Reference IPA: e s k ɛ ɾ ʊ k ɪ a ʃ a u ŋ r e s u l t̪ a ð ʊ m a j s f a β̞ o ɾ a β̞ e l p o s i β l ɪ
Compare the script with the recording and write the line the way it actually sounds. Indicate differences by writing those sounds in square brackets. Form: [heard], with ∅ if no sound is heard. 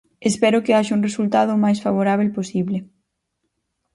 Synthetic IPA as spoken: e s [p] ɛ ɾ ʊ k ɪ a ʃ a u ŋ r e s u l t̪ a ð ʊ m a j s f a β̞ o ɾ a β̞ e l p o s i β l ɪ